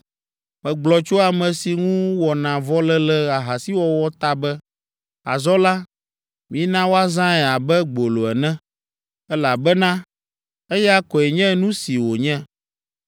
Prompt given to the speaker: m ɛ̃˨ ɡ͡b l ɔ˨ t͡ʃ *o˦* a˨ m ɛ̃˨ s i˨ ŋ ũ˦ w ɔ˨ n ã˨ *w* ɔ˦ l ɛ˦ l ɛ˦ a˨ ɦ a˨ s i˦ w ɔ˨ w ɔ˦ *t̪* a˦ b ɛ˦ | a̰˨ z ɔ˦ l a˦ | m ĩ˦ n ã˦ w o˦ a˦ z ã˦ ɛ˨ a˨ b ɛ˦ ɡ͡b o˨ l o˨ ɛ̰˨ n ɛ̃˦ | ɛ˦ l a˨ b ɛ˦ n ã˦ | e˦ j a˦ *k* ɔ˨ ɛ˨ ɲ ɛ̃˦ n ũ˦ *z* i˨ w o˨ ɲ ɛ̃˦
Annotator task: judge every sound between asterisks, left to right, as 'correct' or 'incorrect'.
correct, incorrect: v, correct, correct, incorrect: s

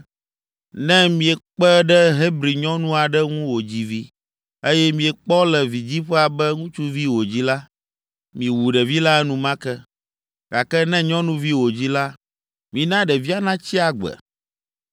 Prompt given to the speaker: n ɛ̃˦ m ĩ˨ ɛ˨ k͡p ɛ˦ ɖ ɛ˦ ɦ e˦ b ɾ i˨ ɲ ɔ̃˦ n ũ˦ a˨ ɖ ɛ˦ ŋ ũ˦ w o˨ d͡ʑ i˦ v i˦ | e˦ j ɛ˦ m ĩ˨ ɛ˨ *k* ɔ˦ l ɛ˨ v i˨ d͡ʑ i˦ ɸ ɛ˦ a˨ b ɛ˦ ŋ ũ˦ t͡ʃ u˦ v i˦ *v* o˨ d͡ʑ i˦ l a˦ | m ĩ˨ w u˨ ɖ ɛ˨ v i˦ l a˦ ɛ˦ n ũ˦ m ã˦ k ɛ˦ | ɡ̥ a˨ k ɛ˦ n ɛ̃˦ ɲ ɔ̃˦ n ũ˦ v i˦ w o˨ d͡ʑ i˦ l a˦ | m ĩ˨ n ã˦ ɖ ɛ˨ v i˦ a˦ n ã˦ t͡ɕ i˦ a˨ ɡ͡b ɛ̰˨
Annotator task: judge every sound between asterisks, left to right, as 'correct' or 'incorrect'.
incorrect: k͡p, incorrect: w

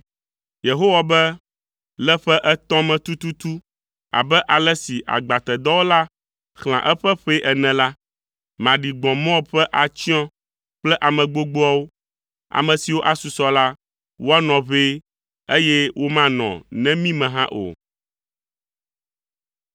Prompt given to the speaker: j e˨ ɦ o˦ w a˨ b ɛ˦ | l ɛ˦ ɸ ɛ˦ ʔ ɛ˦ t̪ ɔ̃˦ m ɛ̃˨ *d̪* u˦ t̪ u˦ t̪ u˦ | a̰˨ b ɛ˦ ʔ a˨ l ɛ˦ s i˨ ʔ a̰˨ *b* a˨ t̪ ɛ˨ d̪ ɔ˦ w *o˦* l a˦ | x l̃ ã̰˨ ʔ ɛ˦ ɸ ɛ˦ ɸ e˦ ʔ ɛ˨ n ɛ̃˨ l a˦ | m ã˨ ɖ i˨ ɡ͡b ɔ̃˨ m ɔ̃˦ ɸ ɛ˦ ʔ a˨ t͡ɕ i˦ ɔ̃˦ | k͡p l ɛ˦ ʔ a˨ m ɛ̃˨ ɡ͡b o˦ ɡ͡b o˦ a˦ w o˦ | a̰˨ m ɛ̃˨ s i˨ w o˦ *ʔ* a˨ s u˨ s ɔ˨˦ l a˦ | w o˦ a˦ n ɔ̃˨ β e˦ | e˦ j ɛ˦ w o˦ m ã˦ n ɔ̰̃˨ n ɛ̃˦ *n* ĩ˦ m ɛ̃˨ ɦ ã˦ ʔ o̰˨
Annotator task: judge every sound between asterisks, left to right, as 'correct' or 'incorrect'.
incorrect: t̪, incorrect: ɡ͡b, correct, correct, incorrect: m

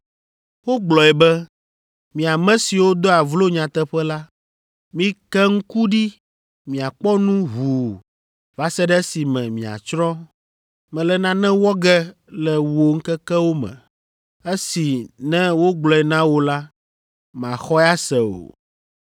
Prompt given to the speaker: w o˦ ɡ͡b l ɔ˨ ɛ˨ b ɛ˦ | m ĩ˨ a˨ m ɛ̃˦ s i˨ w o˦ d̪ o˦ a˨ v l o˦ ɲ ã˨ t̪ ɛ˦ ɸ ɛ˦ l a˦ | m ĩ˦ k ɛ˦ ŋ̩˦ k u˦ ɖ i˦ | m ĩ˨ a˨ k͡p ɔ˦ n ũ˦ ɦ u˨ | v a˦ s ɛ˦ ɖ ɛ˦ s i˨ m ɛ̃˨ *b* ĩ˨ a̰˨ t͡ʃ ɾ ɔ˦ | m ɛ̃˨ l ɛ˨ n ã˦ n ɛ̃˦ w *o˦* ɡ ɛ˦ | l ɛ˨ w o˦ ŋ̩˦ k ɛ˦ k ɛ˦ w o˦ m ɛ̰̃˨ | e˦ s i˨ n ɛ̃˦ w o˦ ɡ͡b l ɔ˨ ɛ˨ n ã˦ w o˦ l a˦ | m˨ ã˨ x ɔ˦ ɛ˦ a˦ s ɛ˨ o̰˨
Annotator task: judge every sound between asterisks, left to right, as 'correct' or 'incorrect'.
incorrect: m, incorrect: ɔ˦

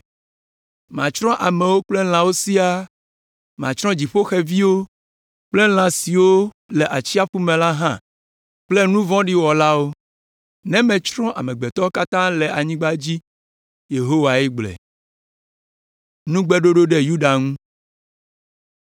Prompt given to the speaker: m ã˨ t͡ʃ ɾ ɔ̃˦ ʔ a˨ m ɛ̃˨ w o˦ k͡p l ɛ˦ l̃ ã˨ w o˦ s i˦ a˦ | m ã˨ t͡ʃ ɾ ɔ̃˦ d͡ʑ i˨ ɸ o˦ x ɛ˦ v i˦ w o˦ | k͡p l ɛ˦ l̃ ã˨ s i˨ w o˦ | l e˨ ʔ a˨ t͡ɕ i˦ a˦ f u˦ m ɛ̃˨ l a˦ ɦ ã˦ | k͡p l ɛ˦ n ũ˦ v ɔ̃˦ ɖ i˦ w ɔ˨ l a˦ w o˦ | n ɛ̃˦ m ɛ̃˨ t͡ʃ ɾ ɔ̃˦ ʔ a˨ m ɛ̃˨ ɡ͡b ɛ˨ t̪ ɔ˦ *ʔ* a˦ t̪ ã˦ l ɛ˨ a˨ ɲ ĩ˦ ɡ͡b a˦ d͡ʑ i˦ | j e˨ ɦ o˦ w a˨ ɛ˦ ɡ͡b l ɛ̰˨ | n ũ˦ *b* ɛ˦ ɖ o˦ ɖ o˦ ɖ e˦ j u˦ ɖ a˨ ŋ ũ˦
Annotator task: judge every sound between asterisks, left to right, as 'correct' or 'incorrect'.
incorrect: k, incorrect: ɡ͡b

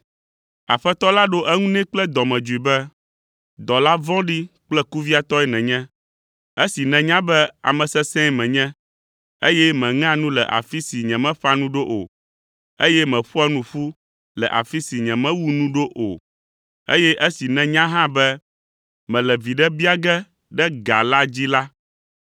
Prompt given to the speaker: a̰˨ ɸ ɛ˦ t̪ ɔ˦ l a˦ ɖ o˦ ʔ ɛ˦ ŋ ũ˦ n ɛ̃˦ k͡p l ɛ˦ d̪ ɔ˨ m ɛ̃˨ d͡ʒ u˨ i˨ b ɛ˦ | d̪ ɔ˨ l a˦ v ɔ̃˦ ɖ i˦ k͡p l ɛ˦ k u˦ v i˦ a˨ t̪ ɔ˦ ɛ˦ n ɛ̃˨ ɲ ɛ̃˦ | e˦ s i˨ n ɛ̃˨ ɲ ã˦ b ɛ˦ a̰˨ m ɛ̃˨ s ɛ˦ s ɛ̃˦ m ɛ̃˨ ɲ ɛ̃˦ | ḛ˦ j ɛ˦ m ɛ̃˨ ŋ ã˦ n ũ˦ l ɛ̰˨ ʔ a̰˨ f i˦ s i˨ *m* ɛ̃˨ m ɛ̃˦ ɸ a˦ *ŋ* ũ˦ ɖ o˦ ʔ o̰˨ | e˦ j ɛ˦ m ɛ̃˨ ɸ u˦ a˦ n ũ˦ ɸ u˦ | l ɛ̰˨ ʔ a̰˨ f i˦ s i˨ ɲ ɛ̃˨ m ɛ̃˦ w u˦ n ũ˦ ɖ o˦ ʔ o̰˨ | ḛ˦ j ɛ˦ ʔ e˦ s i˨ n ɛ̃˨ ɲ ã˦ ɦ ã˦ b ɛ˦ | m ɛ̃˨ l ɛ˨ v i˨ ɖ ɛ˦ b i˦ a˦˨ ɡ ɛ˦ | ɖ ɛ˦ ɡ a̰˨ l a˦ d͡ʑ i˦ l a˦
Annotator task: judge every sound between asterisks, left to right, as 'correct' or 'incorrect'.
incorrect: ɲ, incorrect: n

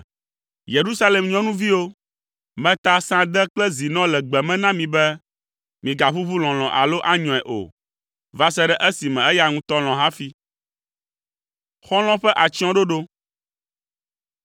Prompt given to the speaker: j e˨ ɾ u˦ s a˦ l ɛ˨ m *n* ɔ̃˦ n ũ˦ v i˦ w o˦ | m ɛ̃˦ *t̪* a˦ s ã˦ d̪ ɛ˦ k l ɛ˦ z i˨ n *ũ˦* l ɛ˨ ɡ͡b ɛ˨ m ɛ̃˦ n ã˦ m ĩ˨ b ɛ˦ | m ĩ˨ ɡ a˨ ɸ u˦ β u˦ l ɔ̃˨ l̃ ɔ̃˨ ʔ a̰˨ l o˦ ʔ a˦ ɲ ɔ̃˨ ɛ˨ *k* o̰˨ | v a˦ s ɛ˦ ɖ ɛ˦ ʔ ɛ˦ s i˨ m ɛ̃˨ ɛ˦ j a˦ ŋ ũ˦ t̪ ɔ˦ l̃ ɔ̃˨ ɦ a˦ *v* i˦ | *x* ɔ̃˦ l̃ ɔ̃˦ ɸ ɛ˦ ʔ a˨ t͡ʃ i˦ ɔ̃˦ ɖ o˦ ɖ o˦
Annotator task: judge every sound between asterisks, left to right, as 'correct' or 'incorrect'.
incorrect: ɲ, correct, incorrect: ɔ̃˦, incorrect: ʔ, incorrect: f, correct

